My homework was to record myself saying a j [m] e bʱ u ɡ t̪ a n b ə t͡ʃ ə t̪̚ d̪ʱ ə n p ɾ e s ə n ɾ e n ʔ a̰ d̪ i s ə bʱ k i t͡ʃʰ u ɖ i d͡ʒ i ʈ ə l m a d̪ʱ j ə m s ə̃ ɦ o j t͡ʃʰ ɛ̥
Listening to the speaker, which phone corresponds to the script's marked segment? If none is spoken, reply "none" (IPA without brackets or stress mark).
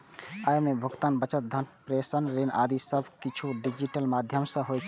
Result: m